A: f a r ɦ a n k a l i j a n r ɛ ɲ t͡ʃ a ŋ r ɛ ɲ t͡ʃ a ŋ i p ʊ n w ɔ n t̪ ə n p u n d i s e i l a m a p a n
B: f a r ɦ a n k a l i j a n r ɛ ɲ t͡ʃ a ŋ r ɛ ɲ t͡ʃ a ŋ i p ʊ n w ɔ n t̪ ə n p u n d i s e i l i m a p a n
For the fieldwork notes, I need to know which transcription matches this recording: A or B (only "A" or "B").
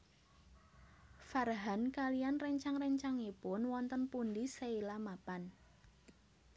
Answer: A